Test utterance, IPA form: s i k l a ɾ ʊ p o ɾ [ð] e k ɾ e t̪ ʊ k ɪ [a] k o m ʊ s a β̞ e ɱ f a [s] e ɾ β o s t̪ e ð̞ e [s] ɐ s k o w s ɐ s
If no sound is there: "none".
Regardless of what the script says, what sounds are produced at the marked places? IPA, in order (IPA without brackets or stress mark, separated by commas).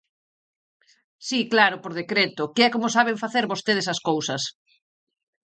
ð, ɛ, θ, s